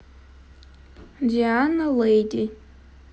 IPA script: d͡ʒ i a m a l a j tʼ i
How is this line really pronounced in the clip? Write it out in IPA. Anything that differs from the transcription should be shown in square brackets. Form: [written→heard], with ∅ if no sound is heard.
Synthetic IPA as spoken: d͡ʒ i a [m→n] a l [a→e] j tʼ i